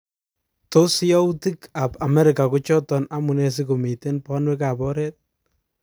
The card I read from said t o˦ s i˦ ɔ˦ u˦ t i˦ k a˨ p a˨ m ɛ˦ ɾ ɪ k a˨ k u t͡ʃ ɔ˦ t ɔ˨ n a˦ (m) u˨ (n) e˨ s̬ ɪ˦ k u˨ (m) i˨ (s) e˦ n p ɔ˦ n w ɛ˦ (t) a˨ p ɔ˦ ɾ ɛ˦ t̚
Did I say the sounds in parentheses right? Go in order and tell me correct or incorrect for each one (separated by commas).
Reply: correct, correct, correct, incorrect, incorrect